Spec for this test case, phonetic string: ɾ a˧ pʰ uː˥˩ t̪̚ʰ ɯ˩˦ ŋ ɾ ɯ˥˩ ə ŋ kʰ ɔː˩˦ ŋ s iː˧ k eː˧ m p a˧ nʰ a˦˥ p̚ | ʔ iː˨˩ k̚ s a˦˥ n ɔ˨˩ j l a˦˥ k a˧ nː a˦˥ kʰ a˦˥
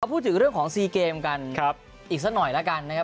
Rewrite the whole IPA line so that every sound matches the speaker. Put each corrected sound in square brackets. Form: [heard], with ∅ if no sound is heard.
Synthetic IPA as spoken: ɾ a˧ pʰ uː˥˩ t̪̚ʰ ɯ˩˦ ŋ ɾ ɯ˥˩ ə ŋ kʰ ɔː˩˦ ŋ s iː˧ k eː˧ m [k] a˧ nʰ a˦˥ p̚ | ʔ iː˨˩ k̚ s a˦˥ n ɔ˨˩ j l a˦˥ k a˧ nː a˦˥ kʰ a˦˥